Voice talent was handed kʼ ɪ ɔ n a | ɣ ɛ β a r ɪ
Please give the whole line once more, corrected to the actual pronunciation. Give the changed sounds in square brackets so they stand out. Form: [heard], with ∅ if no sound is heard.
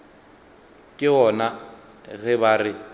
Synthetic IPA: kʼ ɪ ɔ n a | ɣ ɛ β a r ɪ